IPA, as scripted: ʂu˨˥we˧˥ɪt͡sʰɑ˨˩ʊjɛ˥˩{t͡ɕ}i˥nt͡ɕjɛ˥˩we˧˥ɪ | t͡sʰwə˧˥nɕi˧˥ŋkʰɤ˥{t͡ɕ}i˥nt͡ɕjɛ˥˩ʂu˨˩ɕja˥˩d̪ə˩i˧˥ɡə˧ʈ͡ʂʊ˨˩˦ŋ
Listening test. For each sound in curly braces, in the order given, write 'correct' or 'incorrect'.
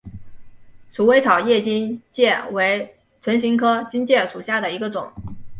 correct, correct

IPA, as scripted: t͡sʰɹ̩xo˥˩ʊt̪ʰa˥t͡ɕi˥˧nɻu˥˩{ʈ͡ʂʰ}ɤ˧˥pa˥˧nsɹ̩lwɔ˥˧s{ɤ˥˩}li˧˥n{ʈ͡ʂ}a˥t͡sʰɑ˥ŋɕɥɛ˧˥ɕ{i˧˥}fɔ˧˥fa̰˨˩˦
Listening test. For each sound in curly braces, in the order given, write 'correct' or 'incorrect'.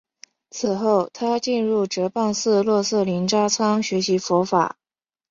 incorrect: ʈ͡ʂ, correct, correct, correct

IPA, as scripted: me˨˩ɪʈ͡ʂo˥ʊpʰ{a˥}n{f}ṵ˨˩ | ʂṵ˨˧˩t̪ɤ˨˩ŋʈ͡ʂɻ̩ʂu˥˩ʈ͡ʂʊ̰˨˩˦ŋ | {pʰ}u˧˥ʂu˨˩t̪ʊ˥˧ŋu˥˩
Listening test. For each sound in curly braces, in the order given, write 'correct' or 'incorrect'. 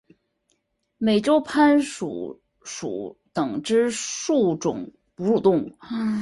correct, incorrect: ʂ, incorrect: p

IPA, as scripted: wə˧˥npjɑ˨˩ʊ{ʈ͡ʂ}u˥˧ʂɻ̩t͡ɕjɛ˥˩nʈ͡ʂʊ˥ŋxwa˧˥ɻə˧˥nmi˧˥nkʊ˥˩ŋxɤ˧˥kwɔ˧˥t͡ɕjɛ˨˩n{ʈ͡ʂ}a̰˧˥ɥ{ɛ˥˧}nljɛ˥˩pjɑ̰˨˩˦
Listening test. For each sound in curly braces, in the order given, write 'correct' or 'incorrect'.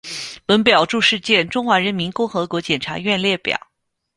correct, incorrect: ʈ͡ʂʰ, correct

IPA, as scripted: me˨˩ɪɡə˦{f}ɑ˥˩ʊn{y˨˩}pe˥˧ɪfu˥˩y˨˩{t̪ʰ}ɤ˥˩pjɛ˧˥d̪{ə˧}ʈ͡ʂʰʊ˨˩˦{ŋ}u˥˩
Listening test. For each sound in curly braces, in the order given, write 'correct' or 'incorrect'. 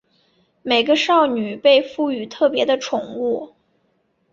incorrect: ʂ, correct, correct, correct, correct

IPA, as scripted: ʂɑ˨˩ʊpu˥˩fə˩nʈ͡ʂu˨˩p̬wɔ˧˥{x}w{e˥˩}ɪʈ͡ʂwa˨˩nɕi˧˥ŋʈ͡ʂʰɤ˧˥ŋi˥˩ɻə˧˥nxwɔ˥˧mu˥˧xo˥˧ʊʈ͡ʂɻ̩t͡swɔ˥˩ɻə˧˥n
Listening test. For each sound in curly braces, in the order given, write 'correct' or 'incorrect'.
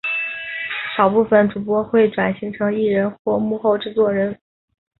correct, correct

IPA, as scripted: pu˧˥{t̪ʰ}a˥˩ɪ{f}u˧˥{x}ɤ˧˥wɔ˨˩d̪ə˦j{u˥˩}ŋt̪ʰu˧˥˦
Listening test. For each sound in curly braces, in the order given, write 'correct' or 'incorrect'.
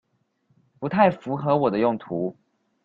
correct, correct, correct, incorrect: ʊ˥˩

